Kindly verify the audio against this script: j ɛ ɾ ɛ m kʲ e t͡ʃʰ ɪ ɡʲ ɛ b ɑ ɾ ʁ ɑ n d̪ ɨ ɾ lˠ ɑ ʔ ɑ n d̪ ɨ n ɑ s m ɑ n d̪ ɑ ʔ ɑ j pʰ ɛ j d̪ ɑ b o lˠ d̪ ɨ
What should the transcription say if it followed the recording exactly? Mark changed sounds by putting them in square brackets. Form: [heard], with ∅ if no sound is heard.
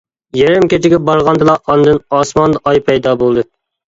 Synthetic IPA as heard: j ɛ ɾ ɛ m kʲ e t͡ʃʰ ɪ ɡʲ ɛ b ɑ ɾ ʁ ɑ n d̪ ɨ [∅] lˠ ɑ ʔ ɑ n d̪ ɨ n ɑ s m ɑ n d̪ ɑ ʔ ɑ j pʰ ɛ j d̪ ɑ b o lˠ d̪ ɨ